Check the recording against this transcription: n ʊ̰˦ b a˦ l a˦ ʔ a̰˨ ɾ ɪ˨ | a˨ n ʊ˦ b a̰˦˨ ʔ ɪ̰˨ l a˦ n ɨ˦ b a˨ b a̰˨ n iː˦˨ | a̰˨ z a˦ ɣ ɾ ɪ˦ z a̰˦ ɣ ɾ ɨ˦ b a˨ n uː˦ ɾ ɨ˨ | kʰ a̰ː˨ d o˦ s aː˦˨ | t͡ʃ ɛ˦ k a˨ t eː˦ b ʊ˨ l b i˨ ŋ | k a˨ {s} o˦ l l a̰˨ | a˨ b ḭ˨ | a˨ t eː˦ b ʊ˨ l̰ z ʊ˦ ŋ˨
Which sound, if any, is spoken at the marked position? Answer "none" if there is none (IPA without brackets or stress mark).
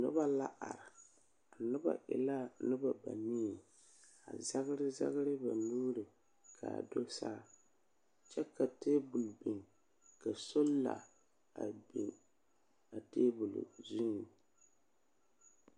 s